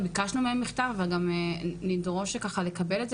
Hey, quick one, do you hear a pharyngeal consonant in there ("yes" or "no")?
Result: no